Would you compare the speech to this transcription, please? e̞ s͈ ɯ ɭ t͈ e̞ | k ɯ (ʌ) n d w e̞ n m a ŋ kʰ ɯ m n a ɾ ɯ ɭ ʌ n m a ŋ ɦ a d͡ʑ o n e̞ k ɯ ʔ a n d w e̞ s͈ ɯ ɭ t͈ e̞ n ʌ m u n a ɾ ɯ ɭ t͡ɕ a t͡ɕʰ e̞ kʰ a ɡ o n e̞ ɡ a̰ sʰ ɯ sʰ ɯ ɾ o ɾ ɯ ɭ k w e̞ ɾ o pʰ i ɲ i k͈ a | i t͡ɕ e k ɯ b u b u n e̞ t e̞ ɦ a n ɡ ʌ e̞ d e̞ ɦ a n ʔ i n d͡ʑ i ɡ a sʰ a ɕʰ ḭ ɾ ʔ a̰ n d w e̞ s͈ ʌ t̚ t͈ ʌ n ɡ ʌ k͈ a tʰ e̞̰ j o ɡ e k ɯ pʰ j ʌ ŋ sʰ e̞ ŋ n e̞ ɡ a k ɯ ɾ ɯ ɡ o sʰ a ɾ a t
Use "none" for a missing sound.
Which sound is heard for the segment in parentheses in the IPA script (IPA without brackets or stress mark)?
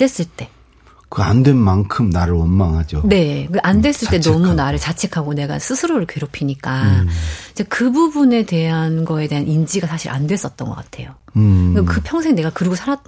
a